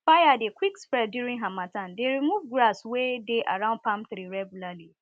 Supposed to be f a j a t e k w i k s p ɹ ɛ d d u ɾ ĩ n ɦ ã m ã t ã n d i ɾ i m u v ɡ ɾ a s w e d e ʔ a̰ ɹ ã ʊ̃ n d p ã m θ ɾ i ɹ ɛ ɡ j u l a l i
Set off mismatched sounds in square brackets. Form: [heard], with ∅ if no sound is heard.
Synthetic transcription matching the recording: f a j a [d] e k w i k s p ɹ ɛ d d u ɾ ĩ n ɦ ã m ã t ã n d [e] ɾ i m u v ɡ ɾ a s w e d e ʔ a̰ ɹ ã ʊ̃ n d p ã m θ ɾ i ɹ ɛ ɡ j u l a l i